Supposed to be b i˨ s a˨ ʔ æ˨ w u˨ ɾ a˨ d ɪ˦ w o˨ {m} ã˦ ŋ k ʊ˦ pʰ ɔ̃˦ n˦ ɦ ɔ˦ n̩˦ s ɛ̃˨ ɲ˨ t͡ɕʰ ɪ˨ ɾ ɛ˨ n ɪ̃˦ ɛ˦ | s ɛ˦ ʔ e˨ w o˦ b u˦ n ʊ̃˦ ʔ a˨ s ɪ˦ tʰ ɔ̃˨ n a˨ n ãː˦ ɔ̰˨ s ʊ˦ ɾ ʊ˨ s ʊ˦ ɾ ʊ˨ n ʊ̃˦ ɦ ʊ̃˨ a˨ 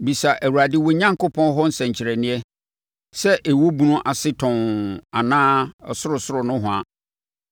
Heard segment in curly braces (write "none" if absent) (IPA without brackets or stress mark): ɲ